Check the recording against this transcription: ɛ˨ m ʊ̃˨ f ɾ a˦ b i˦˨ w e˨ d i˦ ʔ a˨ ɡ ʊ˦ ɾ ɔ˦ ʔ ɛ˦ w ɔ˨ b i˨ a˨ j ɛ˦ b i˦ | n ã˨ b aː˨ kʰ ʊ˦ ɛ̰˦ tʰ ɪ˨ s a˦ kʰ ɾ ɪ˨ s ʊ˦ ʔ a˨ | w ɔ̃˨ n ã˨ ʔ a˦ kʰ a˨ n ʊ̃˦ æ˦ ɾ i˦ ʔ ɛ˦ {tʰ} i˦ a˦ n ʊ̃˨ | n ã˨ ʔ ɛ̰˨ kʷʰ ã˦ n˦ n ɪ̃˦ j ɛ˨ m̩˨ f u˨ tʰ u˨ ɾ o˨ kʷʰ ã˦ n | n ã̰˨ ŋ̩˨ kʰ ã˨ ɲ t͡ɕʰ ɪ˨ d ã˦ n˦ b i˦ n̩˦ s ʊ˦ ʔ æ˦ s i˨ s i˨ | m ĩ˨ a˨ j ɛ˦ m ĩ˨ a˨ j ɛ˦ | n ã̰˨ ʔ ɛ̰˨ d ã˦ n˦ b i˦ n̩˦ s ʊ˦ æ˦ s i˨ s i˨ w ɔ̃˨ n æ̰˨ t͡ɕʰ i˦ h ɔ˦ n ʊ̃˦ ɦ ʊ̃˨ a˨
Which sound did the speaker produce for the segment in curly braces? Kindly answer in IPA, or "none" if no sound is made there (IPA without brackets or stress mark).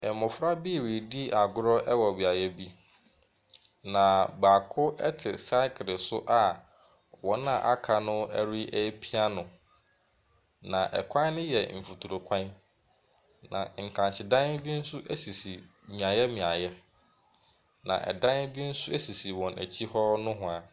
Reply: pʰ